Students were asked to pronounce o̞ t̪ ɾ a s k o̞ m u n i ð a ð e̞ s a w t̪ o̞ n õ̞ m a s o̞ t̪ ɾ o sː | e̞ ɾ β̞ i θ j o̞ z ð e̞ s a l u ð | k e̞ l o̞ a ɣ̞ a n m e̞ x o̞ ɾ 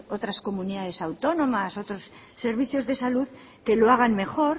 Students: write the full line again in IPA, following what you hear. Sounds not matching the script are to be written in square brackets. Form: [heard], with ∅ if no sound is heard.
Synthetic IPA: o̞ t̪ ɾ a s k o̞ m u n i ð a ð e̞ s a w t̪ o̞ n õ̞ m a s o̞ t̪ ɾ o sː | e̞ ɾ β̞ i θ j o̞ z ð e̞ s a l u ð | k e̞ l o̞ a ɣ̞ a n m e̞ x o̞ ɾ

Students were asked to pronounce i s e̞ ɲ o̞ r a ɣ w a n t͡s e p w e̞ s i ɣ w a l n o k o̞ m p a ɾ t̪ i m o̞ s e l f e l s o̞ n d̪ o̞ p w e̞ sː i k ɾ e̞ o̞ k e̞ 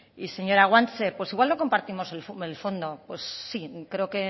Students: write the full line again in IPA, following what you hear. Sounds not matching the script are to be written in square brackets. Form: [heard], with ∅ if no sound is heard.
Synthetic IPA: i s e̞ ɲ o̞ [ɾ] a ɣ w a n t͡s e p w e̞ s i ɣ w a l n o k o̞ m p a ɾ t̪ i m o̞ s e l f e l [f] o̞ n d̪ o̞ p w e̞ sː i k ɾ e̞ o̞ k e̞

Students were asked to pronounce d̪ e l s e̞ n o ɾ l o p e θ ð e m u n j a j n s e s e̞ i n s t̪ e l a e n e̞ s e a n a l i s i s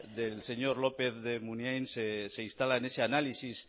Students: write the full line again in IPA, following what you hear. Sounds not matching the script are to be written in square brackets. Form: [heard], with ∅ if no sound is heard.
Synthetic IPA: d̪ e l s e̞ [ɲ] o ɾ l o p e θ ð e m u n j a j n s e s e̞ i n s t̪ [a] l a e n e̞ s e a n a l i s i s

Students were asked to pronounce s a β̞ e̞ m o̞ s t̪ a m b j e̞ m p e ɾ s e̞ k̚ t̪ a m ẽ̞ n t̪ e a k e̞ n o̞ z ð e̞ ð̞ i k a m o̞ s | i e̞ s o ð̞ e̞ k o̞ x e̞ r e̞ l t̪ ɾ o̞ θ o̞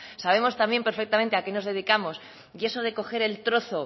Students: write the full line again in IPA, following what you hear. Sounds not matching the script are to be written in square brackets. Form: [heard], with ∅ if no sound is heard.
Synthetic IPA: s a β̞ e̞ m o̞ s t̪ a m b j e̞ m p e ɾ [f] e̞ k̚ t̪ a m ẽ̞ n t̪ e a k e̞ n o̞ z ð e̞ ð̞ i k a m o̞ s | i e̞ s o ð̞ e̞ k o̞ x e̞ [ɾ] e̞ l t̪ ɾ o̞ θ o̞

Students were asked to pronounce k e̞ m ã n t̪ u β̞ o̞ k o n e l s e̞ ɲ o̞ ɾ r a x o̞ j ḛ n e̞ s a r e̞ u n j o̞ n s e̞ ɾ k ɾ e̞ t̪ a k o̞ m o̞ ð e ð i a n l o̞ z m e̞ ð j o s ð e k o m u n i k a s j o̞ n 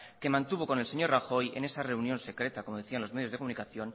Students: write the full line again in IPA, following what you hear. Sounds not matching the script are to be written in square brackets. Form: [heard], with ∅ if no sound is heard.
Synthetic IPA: k e̞ m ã n t̪ u β̞ o̞ k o n e l s e̞ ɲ o̞ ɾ r a x o̞ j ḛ n e̞ s a r e̞ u n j o̞ n s e̞ [∅] k ɾ e̞ t̪ a k o̞ m o̞ ð e [θ] i a n l o̞ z m e̞ ð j o [z] ð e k o m u n i k a [θ] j o̞ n

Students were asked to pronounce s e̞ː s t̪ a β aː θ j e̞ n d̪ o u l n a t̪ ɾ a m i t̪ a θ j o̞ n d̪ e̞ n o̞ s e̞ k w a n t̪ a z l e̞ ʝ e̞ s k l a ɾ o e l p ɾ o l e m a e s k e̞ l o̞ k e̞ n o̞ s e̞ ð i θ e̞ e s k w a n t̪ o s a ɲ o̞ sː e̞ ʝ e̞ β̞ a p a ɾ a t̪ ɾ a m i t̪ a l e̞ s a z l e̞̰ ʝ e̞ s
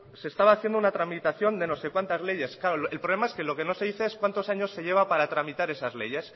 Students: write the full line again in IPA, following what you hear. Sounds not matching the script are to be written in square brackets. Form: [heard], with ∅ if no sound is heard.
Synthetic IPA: s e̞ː s t̪ a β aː θ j e̞ n d̪ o u [∅] n a t̪ ɾ a m i t̪ a θ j o̞ n d̪ e̞ n o̞ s e̞ k w a n t̪ a z l e̞ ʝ e̞ s k l a ɾ o e l p ɾ o l e m a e s k e̞ l o̞ k e̞ n o̞ s e̞ ð i θ e̞ e s k w a n t̪ o s a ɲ o̞ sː e̞ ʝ e̞ β̞ a p a ɾ a t̪ ɾ a m i t̪ a [ɾ] e̞ s a z l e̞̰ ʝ e̞ s

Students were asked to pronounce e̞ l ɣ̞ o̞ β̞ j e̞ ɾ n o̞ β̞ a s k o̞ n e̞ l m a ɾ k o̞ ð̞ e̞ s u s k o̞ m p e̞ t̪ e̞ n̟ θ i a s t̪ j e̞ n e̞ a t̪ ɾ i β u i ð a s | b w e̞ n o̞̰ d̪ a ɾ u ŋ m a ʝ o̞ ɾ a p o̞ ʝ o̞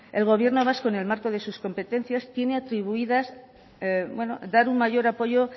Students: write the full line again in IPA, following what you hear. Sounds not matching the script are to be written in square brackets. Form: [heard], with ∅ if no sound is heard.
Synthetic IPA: e̞ l ɣ̞ o̞ β̞ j e̞ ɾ n o̞ β̞ a s k o̞ n e̞ l m a ɾ k o̞ ð̞ e̞ s u s k o̞ m p e̞ t̪ e̞ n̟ θ [j] a s t̪ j e̞ n e̞ a t̪ ɾ i β u i ð a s | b w e̞ n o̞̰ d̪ a ɾ u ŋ m a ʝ o̞ ɾ a p o̞ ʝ o̞

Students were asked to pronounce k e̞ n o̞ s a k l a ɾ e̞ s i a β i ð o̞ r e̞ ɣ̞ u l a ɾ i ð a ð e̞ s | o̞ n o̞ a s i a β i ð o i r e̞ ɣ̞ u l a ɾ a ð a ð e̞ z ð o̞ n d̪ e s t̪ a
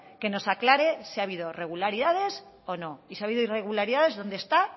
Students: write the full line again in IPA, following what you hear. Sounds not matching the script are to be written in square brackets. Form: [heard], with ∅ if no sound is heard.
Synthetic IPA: k e̞ n o̞ s a k l a ɾ e̞ s i a β i ð o̞ r e̞ ɣ̞ u l a ɾ i ð a ð e̞ s | o̞ n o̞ [i] s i a β i ð o i r e̞ ɣ̞ u l a ɾ [i] ð a ð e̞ z ð o̞ n d̪ e s t̪ a

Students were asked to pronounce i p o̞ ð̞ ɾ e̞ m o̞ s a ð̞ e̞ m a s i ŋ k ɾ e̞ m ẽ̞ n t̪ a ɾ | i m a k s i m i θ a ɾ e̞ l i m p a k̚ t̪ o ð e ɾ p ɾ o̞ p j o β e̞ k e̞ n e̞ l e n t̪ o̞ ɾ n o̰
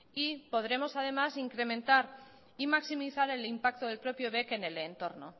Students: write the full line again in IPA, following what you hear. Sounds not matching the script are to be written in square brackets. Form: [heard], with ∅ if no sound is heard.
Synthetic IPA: i p o̞ ð̞ ɾ e̞ m o̞ s a ð̞ e̞ m a s i ŋ k ɾ e̞ m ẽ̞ n t̪ a ɾ | i m a k s i m i θ a ɾ e̞ l i m p a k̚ t̪ o ð e [l] p ɾ o̞ p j o β e̞ k e̞ n e̞ l e n t̪ o̞ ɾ n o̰

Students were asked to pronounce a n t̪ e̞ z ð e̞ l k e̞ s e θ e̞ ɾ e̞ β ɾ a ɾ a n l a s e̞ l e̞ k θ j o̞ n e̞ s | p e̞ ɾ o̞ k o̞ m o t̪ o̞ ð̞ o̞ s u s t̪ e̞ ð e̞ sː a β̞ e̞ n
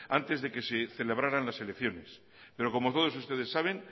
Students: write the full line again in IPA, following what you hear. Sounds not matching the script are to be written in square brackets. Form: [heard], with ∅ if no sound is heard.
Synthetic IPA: a n t̪ e̞ z ð e̞ [∅] k e̞ s e θ e̞ [l] e̞ β ɾ a ɾ a n l a s e̞ l e̞ k θ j o̞ n e̞ s | p e̞ ɾ o̞ k o̞ m o t̪ o̞ ð̞ o̞ s u s t̪ e̞ ð e̞ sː a β̞ e̞ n

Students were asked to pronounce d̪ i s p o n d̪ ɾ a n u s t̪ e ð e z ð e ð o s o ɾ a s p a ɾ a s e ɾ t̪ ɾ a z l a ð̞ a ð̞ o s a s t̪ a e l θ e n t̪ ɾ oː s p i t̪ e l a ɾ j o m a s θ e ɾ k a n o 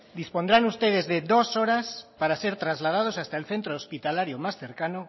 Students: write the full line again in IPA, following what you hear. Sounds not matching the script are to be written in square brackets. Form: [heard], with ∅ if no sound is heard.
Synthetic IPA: d̪ i s p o n d̪ ɾ a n u s t̪ e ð e z ð e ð o s o ɾ a s p a ɾ a s e ɾ t̪ ɾ a z l a ð̞ a ð̞ o s a s t̪ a e l θ e n t̪ ɾ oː s p i t̪ [a] l a ɾ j o m a s θ e ɾ k a n o

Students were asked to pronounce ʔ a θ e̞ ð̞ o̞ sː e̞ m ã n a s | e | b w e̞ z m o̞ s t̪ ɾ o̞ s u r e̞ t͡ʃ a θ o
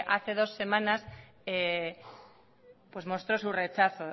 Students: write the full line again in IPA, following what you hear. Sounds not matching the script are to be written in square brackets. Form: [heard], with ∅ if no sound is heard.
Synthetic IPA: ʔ a θ e̞ ð̞ o̞ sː e̞ m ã n a s | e | [p] w e̞ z m o̞ s t̪ ɾ o̞ s u r e̞ t͡ʃ a θ o

